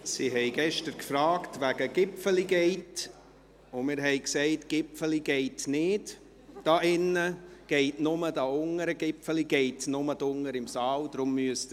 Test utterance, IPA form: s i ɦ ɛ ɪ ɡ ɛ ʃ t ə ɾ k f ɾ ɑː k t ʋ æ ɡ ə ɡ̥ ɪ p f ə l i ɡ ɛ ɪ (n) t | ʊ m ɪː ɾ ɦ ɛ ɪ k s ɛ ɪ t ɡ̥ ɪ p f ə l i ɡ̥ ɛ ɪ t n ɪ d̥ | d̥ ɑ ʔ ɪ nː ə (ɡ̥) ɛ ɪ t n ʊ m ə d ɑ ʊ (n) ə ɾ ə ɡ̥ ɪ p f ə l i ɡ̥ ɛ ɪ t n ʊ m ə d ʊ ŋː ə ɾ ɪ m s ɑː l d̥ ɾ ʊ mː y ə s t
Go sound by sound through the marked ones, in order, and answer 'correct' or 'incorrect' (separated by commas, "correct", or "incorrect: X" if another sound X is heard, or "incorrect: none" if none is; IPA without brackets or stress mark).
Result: incorrect: none, correct, incorrect: ŋ